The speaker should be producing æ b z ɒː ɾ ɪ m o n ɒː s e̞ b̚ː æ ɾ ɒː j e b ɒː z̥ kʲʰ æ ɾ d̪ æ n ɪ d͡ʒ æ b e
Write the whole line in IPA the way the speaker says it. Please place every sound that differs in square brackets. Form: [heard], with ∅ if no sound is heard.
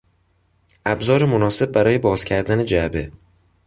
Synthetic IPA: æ b z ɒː ɾ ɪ m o n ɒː s e̞ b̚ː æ ɾ ɒː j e b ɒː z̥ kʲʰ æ ɾ d̪ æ n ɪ d͡ʒ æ b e

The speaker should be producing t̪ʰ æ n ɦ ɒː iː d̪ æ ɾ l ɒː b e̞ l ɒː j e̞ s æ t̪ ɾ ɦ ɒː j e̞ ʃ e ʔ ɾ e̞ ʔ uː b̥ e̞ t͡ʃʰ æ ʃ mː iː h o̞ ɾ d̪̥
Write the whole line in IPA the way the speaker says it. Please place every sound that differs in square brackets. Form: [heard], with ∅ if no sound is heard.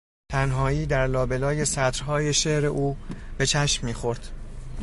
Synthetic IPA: t̪ʰ æ n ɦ ɒː iː d̪ æ ɾ l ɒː b e̞ l ɒː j e̞ s æ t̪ ɾ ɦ ɒː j e̞ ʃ e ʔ ɾ e̞ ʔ uː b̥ e̞ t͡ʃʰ æ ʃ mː iː [x] o̞ ɾ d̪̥

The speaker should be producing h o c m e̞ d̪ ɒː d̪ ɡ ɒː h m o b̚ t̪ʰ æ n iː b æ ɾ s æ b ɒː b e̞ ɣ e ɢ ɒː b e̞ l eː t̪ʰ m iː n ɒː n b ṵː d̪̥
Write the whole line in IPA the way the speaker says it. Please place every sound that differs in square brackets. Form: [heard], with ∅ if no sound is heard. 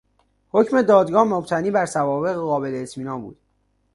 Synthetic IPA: h o c m e̞ d̪ ɒː d̪ ɡ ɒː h m o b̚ t̪ʰ æ n iː b æ ɾ s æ [v] ɒː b e̞ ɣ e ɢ ɒː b e̞ l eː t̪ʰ m iː n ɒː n b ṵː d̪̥

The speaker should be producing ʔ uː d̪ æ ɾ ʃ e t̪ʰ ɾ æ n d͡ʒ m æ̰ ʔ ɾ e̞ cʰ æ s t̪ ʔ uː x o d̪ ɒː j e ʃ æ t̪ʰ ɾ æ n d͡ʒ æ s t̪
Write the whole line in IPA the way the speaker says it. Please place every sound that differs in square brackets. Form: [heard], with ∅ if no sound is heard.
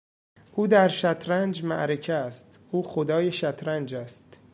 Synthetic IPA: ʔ uː d̪ æ ɾ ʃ [æ] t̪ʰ ɾ æ n d͡ʒ m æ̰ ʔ ɾ e̞ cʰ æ s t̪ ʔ uː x o d̪ ɒː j e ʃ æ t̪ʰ ɾ æ n d͡ʒ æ s t̪

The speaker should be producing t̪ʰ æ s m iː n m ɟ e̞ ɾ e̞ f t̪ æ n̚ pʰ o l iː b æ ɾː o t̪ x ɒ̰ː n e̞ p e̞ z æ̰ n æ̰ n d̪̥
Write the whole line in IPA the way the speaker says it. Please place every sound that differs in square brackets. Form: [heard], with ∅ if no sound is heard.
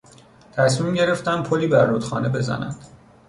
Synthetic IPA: t̪ʰ æ s m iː [∅] m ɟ e̞ ɾ e̞ f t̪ æ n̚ pʰ o l iː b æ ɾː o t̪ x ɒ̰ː n e̞ [b] e̞ z æ̰ n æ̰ n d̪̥

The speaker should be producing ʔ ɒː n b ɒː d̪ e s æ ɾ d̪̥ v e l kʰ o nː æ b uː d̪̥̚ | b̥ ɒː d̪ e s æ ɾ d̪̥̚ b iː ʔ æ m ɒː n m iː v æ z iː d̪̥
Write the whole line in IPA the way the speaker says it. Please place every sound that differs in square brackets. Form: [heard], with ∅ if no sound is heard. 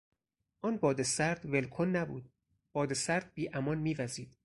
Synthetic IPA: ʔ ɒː n b ɒː d̪ e s æ ɾ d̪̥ v e l kʰ o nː æ b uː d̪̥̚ | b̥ ɒː d̪ e s æ ɾ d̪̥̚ b iː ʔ æ m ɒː n m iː v æ z iː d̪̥

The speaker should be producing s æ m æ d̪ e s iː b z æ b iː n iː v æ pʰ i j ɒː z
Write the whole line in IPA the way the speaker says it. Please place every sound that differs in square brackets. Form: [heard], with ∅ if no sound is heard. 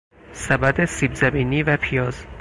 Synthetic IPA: s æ [b] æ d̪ e s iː b z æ b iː n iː v æ pʰ i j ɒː z

